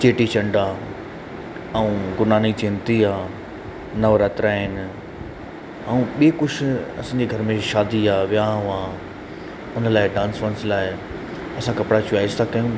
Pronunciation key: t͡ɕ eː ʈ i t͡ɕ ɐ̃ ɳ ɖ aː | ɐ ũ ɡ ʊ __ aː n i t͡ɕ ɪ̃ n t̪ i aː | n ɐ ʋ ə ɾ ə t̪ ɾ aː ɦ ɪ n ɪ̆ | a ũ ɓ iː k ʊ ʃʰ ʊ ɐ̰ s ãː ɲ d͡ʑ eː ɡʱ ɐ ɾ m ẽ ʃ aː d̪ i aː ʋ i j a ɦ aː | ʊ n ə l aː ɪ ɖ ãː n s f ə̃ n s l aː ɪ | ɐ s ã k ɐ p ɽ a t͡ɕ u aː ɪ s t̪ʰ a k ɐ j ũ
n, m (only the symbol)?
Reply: n